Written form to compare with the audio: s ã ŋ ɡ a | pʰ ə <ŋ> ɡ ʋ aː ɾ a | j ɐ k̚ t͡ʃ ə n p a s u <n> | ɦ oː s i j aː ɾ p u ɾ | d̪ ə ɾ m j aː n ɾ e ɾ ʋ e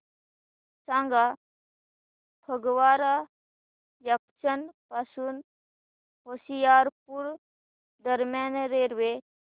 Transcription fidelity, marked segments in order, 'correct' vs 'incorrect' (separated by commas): incorrect, correct